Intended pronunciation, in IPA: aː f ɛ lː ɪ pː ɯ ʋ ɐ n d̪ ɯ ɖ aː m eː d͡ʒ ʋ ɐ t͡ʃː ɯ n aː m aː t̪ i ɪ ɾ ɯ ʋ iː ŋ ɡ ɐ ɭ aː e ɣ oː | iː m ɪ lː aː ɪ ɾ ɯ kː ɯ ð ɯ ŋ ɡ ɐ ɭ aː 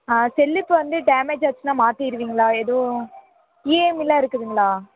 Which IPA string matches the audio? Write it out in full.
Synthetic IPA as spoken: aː s ɛ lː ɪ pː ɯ ʋ ɐ n d̪ ɯ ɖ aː m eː d͡ʒ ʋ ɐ t͡ʃː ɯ n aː m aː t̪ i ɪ ɾ ɯ ʋ iː ŋ ɡ ɐ ɭ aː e ð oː | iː m ɪ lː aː ɪ ɾ ɯ kː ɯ ð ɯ ŋ ɡ ɐ ɭ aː